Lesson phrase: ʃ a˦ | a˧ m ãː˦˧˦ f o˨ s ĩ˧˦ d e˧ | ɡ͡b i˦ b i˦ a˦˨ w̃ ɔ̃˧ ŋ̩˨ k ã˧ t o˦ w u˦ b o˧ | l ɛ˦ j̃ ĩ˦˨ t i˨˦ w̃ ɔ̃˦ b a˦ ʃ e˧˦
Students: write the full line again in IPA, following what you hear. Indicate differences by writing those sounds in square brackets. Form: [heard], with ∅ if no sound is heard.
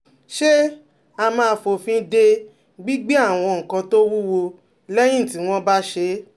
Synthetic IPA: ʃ [e˦] | a˧ m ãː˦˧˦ f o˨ [f] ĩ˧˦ d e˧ | ɡ͡b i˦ [ɡ͡b] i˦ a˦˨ w̃ ɔ̃˧ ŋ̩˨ k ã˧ t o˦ w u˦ [w] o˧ | l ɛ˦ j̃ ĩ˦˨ t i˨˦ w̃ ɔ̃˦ b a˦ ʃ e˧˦